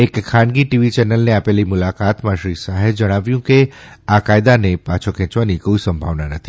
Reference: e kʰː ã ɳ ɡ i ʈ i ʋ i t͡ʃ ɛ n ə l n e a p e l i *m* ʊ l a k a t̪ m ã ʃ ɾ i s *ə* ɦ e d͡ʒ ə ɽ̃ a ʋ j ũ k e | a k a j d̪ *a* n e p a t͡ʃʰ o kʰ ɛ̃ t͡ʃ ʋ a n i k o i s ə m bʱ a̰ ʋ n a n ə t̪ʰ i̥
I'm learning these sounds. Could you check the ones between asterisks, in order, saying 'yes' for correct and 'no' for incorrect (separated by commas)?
yes, no, yes